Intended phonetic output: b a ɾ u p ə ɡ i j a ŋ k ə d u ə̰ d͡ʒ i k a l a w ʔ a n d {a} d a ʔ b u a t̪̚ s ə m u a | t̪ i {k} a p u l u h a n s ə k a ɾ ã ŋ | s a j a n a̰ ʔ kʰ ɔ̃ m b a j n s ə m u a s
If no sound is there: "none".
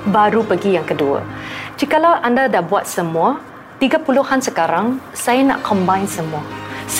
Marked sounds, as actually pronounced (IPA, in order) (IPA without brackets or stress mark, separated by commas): a, ɡ